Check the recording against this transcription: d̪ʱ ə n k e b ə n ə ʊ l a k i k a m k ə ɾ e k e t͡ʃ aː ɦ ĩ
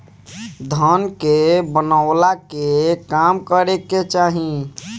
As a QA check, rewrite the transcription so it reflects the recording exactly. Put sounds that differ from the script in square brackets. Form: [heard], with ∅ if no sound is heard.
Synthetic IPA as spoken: d̪ʱ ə n k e b ə n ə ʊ l a k [e] k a m k ə ɾ e k e t͡ʃ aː ɦ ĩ